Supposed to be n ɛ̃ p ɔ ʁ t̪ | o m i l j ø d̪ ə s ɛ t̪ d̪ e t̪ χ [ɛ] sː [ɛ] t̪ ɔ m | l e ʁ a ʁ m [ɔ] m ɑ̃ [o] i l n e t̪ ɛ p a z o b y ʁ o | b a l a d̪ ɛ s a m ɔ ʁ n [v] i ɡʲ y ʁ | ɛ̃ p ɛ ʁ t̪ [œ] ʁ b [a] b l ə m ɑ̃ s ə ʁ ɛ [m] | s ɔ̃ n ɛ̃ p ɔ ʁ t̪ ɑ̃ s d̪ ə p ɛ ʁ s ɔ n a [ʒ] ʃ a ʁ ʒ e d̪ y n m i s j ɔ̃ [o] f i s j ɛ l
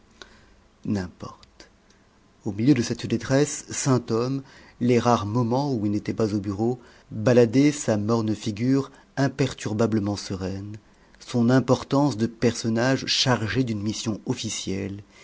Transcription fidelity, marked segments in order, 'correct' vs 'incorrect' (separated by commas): correct, incorrect, correct, incorrect, incorrect, incorrect, correct, incorrect, correct, incorrect